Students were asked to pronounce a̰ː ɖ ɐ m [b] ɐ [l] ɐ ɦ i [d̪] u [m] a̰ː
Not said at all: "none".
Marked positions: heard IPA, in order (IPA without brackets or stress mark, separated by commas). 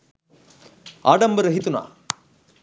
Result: b, ɾ, t̪, n